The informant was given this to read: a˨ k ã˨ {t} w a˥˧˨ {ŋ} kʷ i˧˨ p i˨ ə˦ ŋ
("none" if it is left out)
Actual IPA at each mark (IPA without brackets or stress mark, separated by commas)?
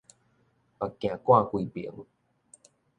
k, none